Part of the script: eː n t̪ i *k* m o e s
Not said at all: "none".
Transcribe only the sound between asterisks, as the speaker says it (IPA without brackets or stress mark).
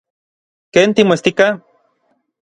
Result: none